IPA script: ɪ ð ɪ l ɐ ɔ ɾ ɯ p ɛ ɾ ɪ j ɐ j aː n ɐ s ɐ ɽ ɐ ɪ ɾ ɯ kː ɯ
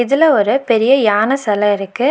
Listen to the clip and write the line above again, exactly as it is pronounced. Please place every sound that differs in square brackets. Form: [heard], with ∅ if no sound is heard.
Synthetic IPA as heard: ɪ ð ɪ l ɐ ɔ ɾ ɯ p ɛ ɾ ɪ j ɐ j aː n ɐ s ɐ [l] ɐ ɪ ɾ ɯ kː ɯ